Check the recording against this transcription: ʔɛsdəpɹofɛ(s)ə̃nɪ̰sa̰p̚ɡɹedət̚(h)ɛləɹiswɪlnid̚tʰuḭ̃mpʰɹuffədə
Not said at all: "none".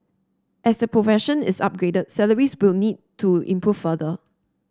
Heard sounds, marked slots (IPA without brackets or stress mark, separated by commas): ʃ, s